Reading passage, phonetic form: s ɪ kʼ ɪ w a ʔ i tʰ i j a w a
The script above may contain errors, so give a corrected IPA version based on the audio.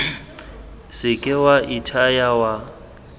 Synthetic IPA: s ɪ kʼ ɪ w a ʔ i tʰ a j a w a